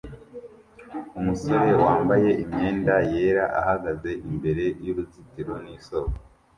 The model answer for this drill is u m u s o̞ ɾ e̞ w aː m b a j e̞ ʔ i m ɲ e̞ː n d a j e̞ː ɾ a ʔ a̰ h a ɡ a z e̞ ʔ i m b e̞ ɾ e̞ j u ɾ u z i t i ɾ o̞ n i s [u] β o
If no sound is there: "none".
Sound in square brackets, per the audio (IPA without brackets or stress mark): o